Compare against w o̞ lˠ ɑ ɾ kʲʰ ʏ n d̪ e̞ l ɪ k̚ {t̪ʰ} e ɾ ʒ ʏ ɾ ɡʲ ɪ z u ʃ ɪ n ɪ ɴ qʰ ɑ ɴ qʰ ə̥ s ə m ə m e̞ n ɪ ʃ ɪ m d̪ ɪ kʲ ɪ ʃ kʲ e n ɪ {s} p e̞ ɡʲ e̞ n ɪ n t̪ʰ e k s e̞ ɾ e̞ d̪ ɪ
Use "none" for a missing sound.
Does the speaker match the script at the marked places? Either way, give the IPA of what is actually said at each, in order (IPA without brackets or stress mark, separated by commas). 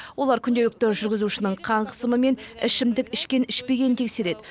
t̪, ʃ